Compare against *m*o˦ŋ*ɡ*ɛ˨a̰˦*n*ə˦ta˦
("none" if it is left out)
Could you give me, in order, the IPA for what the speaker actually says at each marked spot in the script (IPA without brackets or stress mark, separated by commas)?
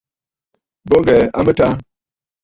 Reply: b, ɡ, m